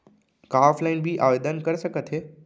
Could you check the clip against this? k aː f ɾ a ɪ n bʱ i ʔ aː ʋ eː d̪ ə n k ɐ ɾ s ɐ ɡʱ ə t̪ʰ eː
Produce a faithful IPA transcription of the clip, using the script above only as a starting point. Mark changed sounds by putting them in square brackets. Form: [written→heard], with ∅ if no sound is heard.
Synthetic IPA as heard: k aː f [ɾ→l] a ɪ n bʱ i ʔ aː ʋ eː d̪ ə n k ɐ ɾ s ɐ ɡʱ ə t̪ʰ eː